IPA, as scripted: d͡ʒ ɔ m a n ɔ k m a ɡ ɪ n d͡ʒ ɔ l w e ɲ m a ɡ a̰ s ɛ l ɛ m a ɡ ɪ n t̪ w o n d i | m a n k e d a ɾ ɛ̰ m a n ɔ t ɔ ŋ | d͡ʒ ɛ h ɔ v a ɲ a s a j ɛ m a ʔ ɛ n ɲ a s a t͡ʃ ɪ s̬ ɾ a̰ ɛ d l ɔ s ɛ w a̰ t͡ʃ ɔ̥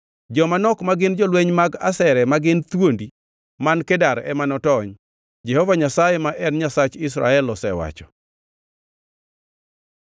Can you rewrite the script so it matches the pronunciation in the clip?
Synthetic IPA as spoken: d͡ʒ ɔ m a n ɔ k m a ɡ ɪ n d͡ʒ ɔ l w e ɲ m a ɡ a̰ s ɛ ɾ ɛ m a ɡ ɪ n t̪ w o n d i | m a n k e d a ɾ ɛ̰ m a n ɔ t ɔ ɲ | d͡ʒ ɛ h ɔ v a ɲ a s a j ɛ m a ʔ ɛ n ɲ a s a t͡ʃ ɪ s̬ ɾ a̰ ɛ l ɔ s ɛ w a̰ t͡ʃ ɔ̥

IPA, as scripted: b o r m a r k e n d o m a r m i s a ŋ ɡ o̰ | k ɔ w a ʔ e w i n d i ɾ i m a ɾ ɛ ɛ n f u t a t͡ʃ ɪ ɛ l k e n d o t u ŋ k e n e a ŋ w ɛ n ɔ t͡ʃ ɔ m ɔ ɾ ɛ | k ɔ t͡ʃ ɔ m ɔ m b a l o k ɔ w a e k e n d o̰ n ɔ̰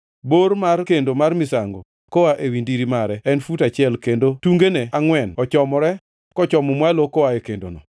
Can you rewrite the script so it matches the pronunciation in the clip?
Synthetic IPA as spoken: b o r m a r k e n d o m a r m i s a ŋ ɡ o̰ | k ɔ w a ʔ e w i n d i ɾ i m a ɾ ɛ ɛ n f u t a t͡ʃ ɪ ɛ l k e n d o t u ŋ ɡ e n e a ŋ w ɛ n ɔ t͡ʃ ɔ m ɔ ɾ ɛ | k ɔ t͡ʃ ɔ m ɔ m w a l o k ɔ w a e k e n d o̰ n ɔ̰

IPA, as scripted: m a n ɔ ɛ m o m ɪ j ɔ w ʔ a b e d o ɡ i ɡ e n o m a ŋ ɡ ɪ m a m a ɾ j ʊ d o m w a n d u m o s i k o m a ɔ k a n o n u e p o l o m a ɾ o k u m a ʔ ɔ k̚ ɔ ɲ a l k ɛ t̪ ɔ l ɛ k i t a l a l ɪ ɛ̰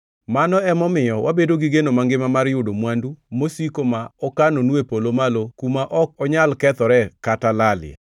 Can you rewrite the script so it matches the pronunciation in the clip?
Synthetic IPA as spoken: m a n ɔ ɛ m ɔ m ɪ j ɔ w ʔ a b e d o ɡ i ɡ e n o m a ŋ ɡ ɪ m a m a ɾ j ʊ d o m w a n d u m o s i k o m a ɔ k a n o n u e p o l o m a l o k u m a ʔ ɔ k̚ ɔ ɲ a l k ɛ t̪ ɔ ɾ ɛ k a t a l a l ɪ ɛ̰

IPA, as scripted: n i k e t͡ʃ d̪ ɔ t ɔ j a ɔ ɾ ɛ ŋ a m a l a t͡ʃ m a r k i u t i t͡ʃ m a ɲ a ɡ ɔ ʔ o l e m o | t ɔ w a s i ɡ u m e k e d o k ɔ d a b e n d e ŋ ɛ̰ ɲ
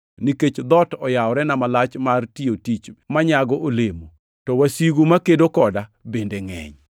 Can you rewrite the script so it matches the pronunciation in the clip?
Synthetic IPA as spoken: n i k e t͡ʃ d̪ ɔ t ɔ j a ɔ ɾ ɛ n a m a l a t͡ʃ m a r t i o t i t͡ʃ m a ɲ a ɡ ɔ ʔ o l e m o | t ɔ w a s i ɡ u m a k e d o k ɔ d a b e n d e ŋ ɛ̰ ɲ

